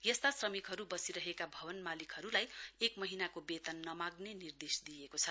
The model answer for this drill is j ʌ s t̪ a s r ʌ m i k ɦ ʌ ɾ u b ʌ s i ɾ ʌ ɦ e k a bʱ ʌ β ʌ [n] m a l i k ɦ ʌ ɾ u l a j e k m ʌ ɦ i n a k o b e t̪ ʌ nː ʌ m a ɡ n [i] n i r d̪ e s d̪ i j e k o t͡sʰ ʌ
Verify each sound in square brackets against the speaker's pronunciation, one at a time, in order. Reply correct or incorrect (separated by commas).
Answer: correct, incorrect